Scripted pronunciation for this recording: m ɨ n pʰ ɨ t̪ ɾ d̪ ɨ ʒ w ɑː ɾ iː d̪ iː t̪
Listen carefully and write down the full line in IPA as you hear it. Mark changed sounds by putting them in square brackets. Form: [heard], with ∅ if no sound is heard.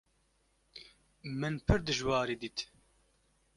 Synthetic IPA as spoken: m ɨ n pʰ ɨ [∅] ɾ d̪ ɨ ʒ w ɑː ɾ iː d̪ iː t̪